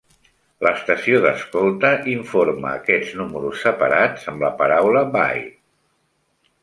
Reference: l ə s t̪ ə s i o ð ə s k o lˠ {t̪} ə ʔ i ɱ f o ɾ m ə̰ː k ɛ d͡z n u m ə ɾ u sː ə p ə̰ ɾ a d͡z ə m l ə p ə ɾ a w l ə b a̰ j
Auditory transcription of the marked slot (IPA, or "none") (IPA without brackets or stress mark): t̪